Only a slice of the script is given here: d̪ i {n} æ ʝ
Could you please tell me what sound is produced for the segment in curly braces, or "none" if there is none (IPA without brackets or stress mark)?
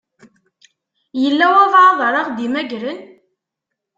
m